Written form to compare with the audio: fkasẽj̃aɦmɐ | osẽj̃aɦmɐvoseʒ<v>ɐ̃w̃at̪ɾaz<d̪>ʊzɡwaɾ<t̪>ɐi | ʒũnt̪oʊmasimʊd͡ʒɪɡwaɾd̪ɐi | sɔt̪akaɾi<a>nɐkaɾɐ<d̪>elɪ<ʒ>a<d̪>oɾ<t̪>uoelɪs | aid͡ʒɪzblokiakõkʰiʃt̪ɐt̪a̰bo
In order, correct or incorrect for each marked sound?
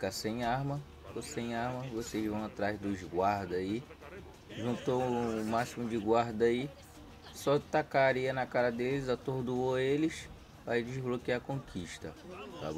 correct, correct, incorrect: d̪, incorrect: ɐ, correct, incorrect: z, incorrect: t̪, incorrect: d̪

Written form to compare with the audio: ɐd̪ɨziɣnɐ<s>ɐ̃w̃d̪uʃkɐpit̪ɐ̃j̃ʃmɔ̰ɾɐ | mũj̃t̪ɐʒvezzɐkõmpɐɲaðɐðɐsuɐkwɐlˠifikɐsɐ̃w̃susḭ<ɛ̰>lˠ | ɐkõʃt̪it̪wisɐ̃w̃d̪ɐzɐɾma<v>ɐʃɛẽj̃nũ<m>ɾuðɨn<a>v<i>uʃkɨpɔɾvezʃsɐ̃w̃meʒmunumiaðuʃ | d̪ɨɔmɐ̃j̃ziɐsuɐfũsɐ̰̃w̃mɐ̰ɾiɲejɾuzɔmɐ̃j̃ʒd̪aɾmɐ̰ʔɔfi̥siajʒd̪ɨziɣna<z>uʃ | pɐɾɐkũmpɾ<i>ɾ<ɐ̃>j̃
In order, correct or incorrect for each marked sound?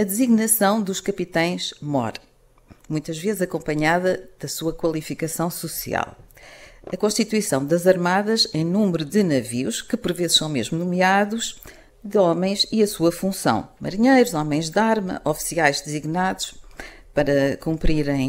correct, incorrect: a̰, incorrect: ð, correct, incorrect: ɐ, correct, incorrect: ð, correct, correct

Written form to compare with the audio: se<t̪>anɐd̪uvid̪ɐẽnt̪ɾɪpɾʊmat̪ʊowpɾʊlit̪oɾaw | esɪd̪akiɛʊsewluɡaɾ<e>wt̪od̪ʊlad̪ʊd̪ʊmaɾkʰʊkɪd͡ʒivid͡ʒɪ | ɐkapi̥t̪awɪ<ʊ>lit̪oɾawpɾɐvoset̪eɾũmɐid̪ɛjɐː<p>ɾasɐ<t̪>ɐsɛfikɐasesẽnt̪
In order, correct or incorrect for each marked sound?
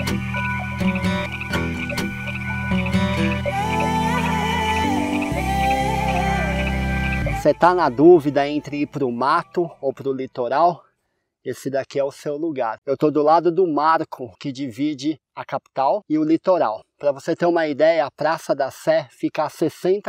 correct, correct, correct, correct, incorrect: d̪

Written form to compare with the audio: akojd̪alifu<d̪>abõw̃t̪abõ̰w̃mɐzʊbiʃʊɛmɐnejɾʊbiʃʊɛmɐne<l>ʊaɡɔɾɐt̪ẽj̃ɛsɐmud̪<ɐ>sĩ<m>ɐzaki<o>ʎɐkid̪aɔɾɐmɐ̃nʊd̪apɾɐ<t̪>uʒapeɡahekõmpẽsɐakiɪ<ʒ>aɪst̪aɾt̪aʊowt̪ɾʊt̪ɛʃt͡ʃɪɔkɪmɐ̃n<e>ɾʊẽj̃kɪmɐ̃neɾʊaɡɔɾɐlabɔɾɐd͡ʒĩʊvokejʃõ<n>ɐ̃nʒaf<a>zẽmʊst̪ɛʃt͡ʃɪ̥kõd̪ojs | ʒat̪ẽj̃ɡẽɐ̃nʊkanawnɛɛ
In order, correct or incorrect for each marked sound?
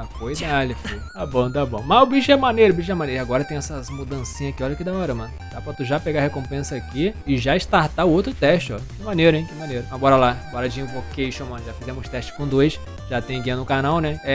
incorrect: t̪, incorrect: ɾ, incorrect: ɐ̃, incorrect: ɲ, incorrect: ɔ, correct, correct, correct, incorrect: m, incorrect: i

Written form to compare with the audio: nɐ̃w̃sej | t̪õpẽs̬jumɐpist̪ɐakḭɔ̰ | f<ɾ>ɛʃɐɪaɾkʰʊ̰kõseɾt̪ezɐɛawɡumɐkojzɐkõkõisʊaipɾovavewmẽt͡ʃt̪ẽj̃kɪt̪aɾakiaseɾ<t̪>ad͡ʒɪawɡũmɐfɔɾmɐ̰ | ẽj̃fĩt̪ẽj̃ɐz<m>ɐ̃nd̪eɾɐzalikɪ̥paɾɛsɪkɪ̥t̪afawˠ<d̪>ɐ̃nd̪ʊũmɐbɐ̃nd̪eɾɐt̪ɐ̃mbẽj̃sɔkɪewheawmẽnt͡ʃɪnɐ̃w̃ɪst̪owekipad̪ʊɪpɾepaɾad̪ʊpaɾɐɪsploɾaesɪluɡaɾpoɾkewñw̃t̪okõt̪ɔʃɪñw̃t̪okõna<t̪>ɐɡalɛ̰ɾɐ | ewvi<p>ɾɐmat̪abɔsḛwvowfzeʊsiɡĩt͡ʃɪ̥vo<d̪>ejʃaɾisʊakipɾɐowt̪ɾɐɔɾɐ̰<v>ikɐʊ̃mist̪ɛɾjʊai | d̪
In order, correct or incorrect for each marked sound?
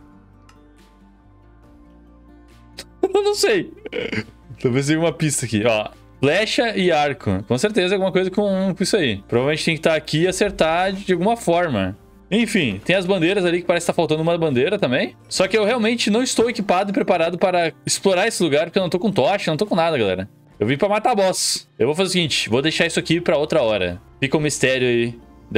incorrect: l, correct, incorrect: b, incorrect: t̪, incorrect: d̪, correct, correct, incorrect: f

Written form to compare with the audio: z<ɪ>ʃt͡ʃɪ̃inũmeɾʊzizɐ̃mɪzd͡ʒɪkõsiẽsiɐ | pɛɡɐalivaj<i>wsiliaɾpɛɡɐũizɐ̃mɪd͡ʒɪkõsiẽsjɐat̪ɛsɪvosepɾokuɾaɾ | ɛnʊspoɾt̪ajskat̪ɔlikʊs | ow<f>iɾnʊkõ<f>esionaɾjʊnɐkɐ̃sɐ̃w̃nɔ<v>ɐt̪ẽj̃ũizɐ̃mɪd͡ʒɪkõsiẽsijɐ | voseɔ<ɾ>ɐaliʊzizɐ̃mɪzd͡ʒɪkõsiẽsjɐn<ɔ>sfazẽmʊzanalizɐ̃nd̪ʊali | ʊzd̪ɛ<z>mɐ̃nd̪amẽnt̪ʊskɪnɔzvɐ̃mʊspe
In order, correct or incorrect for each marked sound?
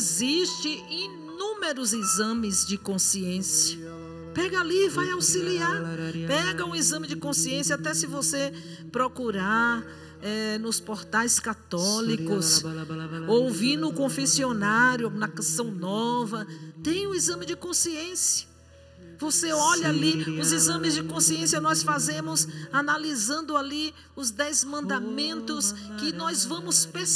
incorrect: i, incorrect: a, incorrect: v, correct, correct, incorrect: ʎ, correct, correct

